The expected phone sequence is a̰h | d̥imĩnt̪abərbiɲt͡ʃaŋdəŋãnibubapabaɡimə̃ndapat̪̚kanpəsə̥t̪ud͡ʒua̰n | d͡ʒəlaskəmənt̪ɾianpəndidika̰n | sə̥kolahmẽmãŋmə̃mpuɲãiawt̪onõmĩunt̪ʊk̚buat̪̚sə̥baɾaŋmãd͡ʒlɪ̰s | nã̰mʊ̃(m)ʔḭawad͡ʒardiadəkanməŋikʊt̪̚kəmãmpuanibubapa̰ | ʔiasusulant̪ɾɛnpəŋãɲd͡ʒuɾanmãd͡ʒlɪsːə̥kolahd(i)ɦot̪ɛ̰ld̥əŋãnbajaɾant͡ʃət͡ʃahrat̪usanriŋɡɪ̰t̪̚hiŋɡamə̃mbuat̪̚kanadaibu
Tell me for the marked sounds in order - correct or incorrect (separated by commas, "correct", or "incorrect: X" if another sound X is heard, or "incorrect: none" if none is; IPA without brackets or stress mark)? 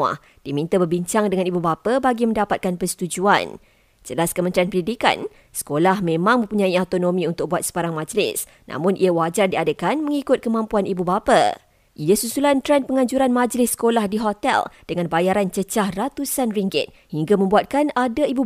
incorrect: n, correct